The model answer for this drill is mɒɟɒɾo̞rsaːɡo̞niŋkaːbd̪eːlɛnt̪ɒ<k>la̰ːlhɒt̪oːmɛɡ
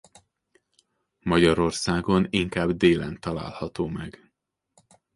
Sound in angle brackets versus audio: incorrect: none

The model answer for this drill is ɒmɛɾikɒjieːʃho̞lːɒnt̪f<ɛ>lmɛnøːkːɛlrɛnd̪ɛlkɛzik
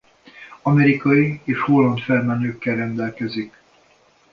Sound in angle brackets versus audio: correct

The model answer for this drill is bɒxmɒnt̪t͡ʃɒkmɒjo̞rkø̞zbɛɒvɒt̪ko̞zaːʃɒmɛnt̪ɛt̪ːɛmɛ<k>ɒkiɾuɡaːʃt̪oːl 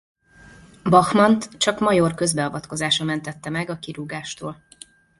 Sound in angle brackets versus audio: incorrect: ɡ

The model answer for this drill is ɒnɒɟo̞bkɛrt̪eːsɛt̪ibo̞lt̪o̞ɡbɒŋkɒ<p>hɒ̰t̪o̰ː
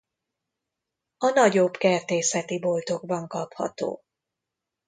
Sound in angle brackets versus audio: correct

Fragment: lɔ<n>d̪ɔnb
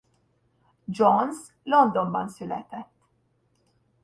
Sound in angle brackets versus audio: correct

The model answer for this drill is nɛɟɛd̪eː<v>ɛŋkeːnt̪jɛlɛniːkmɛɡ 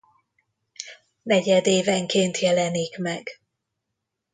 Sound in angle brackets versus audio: correct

